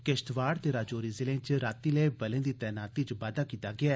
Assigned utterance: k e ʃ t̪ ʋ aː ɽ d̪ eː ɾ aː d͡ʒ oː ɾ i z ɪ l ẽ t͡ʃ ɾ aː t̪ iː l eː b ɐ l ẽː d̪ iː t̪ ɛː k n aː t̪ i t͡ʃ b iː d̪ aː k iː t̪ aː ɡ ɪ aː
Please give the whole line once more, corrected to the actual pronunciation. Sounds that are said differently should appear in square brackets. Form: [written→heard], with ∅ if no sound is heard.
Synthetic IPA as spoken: k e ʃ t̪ ʋ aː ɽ [d̪→t̪] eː ɾ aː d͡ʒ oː ɾ i z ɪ l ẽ t͡ʃ ɾ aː t̪ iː l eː b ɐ l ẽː d̪ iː t̪ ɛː [k→∅] n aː t̪ i t͡ʃ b [iː→aː] d̪ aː k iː t̪ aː ɡ ɪ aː